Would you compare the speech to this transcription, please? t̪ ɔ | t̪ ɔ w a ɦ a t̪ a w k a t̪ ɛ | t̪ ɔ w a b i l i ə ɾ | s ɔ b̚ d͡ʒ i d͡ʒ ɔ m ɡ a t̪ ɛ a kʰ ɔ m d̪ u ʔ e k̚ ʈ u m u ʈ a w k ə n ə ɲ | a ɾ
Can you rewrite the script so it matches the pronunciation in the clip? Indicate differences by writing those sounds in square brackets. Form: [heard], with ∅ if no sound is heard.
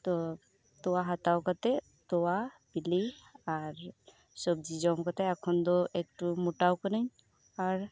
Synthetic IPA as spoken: t̪ ɔ | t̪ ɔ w a ɦ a t̪ a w k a t̪ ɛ | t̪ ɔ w a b i l i [a] ɾ | s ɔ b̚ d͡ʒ i d͡ʒ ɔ m [k] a t̪ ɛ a kʰ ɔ [n] d̪ [ɔ] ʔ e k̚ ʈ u m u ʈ a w k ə n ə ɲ | a ɾ